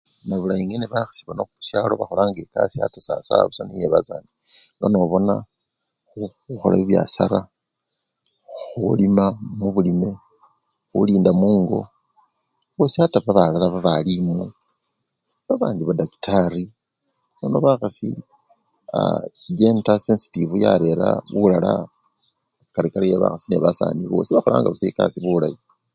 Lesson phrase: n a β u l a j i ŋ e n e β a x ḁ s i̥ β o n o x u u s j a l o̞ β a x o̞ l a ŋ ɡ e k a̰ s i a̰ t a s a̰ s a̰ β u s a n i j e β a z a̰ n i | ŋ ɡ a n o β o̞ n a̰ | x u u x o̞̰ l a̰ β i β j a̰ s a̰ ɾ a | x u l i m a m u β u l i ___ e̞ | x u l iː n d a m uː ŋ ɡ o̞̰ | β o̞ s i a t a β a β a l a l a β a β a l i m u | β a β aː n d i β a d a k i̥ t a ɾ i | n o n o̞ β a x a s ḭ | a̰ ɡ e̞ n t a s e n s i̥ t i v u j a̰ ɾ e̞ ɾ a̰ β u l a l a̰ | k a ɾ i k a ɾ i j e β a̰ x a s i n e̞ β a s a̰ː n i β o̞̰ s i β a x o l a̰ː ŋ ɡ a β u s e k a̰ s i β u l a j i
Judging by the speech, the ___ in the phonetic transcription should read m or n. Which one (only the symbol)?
m